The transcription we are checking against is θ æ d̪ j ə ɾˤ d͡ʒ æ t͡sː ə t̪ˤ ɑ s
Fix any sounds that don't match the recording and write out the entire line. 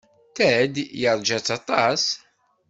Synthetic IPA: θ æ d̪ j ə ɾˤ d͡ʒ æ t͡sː ɑ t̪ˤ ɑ s